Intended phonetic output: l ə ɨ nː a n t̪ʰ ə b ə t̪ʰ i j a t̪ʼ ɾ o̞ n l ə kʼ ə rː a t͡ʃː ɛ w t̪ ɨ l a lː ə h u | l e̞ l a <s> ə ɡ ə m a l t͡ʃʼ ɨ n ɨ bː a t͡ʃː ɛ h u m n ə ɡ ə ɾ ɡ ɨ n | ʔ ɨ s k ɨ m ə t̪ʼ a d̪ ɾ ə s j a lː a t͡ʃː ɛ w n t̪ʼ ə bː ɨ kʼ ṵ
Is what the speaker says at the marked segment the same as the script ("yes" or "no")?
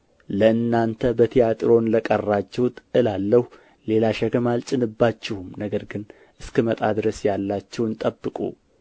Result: no